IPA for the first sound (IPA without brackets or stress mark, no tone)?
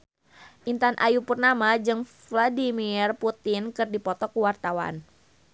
ʔ